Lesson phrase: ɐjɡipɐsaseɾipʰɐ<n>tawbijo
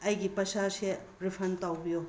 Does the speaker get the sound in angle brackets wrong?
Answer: no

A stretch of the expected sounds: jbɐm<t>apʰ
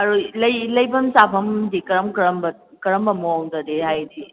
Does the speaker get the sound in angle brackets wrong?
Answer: yes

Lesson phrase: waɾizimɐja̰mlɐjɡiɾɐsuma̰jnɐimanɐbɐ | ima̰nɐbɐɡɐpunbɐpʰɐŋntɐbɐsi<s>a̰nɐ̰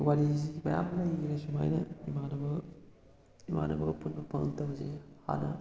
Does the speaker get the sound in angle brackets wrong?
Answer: yes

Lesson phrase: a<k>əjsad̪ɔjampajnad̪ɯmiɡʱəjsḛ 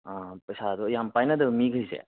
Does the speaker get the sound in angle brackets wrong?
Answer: yes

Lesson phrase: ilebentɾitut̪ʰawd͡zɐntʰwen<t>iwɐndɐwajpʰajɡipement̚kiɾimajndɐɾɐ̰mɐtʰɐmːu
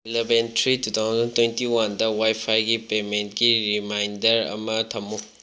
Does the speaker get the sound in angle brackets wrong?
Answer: no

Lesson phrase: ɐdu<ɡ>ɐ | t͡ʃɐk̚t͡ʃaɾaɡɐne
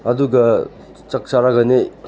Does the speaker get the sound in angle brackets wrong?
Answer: no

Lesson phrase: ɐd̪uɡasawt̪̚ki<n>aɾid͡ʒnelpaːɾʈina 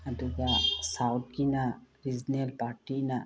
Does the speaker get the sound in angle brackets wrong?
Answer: no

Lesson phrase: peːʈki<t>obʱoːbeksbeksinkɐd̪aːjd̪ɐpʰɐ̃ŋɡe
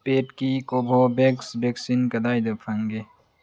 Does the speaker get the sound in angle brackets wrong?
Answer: yes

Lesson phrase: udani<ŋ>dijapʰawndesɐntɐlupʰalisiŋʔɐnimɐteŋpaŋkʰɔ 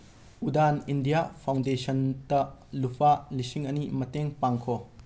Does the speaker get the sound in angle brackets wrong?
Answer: yes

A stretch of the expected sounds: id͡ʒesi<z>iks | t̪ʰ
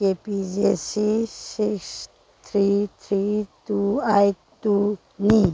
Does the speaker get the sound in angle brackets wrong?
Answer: yes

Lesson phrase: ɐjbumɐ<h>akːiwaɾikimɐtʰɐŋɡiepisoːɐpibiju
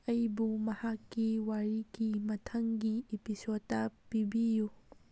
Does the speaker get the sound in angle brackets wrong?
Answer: no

